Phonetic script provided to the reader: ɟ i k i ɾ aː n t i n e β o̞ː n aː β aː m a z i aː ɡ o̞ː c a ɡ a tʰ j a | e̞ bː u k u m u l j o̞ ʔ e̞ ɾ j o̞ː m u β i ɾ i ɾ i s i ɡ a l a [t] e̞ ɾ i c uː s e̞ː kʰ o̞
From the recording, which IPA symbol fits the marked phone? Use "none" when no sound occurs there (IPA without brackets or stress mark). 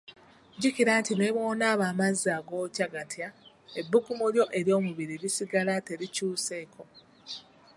t